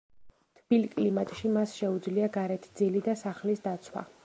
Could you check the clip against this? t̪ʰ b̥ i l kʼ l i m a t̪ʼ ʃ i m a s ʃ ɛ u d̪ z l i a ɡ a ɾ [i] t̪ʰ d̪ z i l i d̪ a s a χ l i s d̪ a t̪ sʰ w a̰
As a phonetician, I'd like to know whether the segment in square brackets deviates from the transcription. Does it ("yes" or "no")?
yes